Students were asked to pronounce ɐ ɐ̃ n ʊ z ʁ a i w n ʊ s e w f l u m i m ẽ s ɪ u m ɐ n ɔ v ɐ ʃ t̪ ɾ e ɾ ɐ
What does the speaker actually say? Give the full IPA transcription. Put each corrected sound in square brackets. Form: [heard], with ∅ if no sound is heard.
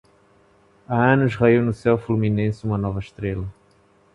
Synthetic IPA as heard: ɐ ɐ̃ n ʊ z ʁ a i w n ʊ s [ɛ] w f l u m i [n] ẽ s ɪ u m ɐ n ɔ v ɐ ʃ t̪ ɾ e [l] ɐ